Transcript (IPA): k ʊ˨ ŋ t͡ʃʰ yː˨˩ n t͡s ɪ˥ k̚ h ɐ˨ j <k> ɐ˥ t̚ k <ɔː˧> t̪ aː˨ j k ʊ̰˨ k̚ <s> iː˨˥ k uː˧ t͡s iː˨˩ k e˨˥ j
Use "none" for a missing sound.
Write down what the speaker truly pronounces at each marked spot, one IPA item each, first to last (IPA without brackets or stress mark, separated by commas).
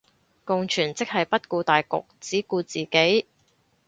p, uː˧, t͡s